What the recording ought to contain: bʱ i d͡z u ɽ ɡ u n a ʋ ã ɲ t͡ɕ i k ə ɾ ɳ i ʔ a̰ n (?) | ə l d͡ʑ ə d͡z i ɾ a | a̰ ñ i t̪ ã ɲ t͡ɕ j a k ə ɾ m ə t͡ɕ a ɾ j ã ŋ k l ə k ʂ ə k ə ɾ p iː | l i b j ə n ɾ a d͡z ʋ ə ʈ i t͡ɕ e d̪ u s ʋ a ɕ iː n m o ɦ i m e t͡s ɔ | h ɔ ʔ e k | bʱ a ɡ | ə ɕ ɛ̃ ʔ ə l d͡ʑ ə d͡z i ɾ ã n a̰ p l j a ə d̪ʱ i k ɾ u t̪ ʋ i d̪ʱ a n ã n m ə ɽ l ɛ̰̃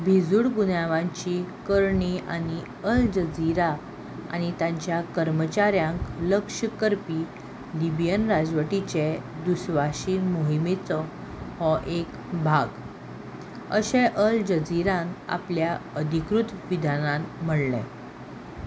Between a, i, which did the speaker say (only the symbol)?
i